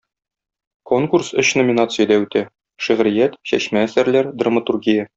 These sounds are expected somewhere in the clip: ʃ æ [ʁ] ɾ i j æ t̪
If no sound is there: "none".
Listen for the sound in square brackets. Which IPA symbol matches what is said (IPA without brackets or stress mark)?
ʁ